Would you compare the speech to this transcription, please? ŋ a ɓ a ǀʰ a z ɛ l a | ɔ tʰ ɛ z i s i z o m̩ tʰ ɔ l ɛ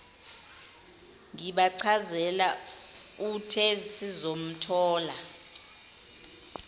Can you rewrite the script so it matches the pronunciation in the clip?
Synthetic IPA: ŋ i ɓ a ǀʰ a z ɛ l a | u tʰ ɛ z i s i z o m̩ tʰ ɔː l a